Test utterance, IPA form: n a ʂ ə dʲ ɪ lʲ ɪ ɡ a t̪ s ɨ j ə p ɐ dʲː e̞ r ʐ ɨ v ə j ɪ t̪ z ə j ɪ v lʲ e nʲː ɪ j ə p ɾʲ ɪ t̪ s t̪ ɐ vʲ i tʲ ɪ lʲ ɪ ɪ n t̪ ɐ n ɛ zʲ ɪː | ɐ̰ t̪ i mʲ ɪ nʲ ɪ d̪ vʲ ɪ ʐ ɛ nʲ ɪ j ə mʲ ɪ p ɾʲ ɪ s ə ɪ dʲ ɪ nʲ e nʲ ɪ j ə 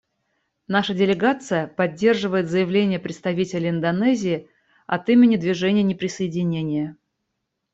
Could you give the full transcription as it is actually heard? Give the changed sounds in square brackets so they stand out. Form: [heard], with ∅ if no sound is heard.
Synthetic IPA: n a ʂ ə dʲ ɪ lʲ ɪ ɡ a t̪ s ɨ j ə p ɐ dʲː e̞ r ʐ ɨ v ə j ɪ t̪ z ə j ɪ v lʲ e [nʲ] ɪ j ə p ɾʲ ɪ t̪ s t̪ ɐ vʲ i tʲ ɪ lʲ ɪ ɪ n [d̪] ɐ n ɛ zʲ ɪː | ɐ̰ t̪ i mʲ ɪ nʲ ɪ d̪ vʲ ɪ ʐ ɛ nʲ ɪ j ə [nʲ] ɪ p ɾʲ ɪ s ə ɪ dʲ ɪ nʲ e nʲ ɪ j ə